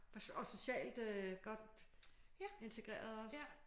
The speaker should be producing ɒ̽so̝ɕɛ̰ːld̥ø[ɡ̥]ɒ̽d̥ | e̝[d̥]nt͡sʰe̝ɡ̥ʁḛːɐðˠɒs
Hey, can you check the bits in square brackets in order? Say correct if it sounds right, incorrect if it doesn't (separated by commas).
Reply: correct, incorrect